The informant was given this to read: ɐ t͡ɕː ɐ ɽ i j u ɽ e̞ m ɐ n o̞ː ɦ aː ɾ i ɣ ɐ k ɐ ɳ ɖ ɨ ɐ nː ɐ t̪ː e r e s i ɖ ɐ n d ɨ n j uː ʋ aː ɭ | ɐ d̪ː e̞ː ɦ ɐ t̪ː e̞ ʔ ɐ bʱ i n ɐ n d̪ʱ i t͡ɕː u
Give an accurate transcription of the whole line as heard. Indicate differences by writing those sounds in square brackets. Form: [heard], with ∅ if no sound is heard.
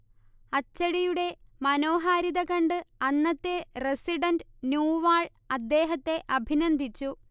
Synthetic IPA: ɐ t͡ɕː ɐ ɽ i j u ɽ e̞ m ɐ n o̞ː ɦ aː ɾ i [ð] ɐ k ɐ ɳ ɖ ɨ ɐ nː ɐ t̪ː e r e s i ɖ ɐ n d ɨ n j uː ʋ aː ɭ | ɐ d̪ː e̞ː ɦ ɐ t̪ː e̞ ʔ ɐ bʱ i n ɐ n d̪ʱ i t͡ɕː u